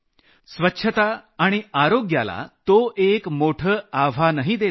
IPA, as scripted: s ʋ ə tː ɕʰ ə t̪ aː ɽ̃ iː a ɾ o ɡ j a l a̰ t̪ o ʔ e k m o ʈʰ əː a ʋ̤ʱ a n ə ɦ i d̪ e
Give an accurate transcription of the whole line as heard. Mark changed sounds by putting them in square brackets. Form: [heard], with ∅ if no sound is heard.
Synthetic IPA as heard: s ʋ ə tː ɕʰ ə t̪ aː ɽ̃ [i] a ɾ o ɡ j a l a̰ t̪ o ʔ e k m o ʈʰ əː a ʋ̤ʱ a n ə ɦ i d̪ e